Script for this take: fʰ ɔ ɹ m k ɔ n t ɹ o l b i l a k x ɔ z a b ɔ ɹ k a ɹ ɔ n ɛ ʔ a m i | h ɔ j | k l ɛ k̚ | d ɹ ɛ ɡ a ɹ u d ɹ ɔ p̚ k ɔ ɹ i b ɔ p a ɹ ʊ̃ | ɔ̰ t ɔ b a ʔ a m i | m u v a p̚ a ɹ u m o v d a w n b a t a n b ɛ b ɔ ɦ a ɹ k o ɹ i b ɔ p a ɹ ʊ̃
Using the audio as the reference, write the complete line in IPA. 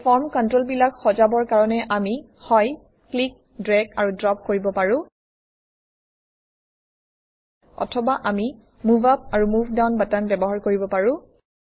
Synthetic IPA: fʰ ɔ ɹ m k ɔ n t ɹ o l b i l a k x ɔ z a b ɔ ɹ k a ɹ ɔ n ɛ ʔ a m i | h ɔ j | k l i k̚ | d ɹ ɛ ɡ a ɹ u d ɹ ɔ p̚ k o ɹ i b ɔ p a ɹ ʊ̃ | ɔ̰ tʰ ɔ b a ʔ a m i | m u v a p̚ a ɹ u m u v d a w n b a t a n b ɛ b ɔ ɦ a ɹ k o ɹ i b ɔ p a ɹ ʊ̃

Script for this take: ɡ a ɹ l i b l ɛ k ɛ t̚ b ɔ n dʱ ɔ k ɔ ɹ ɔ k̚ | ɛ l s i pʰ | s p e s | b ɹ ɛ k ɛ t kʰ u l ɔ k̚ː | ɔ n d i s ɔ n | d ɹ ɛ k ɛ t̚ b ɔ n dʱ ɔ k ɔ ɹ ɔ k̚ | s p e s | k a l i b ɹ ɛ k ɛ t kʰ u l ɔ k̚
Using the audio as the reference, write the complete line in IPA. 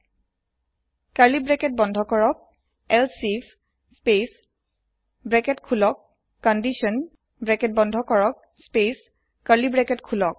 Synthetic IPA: k a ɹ l i b ɹ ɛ k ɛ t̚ b ɔ n dʱ ɔ k ɔ ɹ ɔ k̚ | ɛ l s i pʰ | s p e s | b ɹ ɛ k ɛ t kʰ u l ɔ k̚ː | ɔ n d i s ɔ n | b ɹ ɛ k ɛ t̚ b ɔ n dʱ ɔ k ɔ ɹ ɔ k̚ | s p e s | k a l i b ɹ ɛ k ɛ t kʰ u l ɔ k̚

